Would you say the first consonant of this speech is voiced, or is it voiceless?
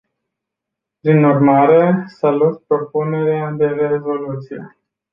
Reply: voiceless